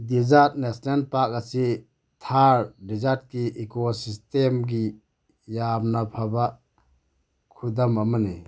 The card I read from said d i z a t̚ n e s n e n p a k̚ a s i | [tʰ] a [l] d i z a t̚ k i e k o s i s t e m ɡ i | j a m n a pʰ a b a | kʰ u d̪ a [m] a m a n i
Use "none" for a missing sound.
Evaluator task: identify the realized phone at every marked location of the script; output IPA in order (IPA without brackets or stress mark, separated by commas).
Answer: tʰ, ɾ, m